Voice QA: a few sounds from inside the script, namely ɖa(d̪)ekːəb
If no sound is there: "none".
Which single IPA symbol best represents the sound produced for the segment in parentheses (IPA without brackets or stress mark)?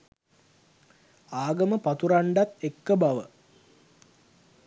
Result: t̪